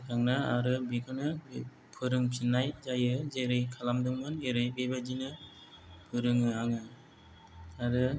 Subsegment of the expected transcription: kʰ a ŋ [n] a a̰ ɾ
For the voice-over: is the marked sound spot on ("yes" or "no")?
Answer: yes